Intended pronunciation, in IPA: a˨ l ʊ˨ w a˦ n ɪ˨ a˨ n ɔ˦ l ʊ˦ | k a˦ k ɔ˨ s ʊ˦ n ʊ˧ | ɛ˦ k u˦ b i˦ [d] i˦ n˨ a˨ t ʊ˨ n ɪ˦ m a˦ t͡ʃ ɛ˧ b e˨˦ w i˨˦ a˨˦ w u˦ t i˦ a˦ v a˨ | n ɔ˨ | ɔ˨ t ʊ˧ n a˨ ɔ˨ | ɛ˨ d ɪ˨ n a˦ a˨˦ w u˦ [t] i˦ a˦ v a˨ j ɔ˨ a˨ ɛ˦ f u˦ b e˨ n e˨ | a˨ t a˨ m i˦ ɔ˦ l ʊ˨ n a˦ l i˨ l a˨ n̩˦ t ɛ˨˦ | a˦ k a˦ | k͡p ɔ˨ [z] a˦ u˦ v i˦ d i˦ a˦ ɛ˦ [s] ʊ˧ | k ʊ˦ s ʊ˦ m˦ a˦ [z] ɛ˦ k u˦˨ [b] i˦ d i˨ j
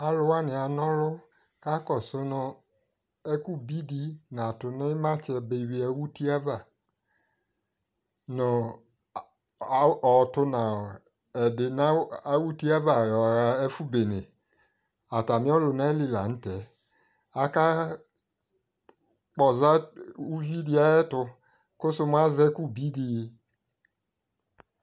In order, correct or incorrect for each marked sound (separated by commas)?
correct, correct, correct, incorrect, correct, correct